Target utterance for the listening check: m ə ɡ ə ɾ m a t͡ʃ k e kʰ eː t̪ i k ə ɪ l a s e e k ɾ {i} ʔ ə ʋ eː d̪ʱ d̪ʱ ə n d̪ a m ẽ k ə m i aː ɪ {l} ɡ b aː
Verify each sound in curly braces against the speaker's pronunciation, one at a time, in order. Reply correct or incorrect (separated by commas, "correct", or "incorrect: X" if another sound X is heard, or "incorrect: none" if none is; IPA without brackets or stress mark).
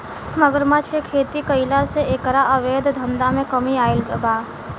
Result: incorrect: a, correct